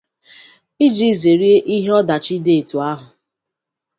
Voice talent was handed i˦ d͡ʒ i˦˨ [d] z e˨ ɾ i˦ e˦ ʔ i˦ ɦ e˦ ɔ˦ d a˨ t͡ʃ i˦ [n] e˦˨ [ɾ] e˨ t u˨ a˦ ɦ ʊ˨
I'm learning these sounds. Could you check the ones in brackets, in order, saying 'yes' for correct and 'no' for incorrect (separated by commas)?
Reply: no, no, no